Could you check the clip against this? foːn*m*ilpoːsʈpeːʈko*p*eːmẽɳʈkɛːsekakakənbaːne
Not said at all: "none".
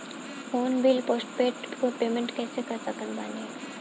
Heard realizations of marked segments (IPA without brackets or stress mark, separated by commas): b, p